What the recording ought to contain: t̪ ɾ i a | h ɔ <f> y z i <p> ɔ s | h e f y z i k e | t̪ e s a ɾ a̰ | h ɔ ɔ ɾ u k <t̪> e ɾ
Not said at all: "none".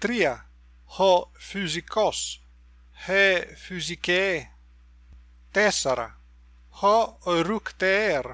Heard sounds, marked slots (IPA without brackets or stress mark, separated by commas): f, k, t̪